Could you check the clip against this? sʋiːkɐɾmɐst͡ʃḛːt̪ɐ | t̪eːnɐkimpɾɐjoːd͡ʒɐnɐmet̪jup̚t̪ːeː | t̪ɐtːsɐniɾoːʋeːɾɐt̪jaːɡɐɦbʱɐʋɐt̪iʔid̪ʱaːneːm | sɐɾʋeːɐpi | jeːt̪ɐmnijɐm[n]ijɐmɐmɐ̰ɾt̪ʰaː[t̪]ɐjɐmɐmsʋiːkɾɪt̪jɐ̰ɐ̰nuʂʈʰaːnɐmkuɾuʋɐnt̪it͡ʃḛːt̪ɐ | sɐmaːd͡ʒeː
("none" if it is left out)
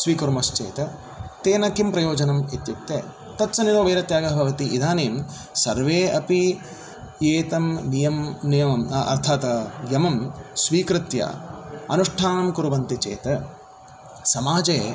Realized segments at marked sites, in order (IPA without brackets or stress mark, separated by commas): n, t̪